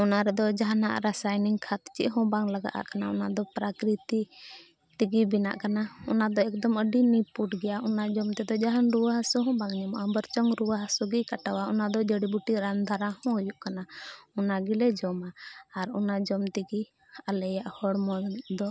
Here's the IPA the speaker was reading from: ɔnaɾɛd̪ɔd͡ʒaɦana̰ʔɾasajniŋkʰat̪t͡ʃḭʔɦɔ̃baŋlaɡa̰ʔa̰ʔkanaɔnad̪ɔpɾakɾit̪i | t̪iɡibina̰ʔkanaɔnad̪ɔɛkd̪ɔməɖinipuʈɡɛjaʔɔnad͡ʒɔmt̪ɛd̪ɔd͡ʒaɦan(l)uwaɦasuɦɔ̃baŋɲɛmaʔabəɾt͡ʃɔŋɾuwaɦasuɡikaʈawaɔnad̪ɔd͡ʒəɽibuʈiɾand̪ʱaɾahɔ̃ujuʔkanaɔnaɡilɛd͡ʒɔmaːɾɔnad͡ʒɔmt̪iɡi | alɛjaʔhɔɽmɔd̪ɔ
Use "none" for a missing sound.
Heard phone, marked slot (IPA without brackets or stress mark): ɾ